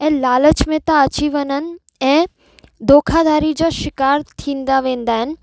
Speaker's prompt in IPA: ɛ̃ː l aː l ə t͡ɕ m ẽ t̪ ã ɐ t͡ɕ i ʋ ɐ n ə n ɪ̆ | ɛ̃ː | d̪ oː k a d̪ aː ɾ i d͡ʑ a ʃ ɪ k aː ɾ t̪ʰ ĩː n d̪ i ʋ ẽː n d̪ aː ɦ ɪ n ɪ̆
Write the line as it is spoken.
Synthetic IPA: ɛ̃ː l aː l ə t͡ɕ m ẽ t̪ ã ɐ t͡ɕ i ʋ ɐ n ə n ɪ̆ | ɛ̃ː | d̪ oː kʰ a d̪ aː ɾ i d͡ʑ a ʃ ɪ k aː ɾ t̪ʰ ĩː n d̪ a ʋ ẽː n d̪ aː ɦ ɪ n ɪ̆